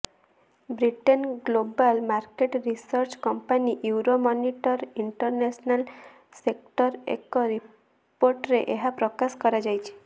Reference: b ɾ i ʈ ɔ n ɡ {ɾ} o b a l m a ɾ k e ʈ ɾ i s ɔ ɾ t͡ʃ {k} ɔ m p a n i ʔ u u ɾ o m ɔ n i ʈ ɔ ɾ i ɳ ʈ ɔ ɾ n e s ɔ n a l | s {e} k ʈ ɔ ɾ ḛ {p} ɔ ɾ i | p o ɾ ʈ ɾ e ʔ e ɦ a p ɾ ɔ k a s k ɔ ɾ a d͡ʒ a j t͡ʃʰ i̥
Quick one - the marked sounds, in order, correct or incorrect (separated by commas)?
incorrect, correct, correct, incorrect